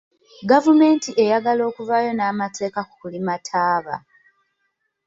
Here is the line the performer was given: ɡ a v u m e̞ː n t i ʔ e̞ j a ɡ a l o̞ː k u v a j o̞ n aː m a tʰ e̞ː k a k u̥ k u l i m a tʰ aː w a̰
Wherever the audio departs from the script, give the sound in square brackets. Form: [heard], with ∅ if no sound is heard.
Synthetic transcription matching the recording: ɡ a v u m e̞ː n t i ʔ e̞ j a ɡ a l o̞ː k u v a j o̞ n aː m a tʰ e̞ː k a k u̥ k u l i m a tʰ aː [β] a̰